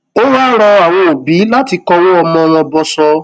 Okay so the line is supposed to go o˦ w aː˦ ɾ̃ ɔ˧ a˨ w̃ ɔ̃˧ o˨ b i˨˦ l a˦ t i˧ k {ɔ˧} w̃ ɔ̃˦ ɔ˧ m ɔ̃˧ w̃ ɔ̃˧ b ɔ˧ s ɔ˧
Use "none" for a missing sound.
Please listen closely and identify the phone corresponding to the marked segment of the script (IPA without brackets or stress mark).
ɔ˧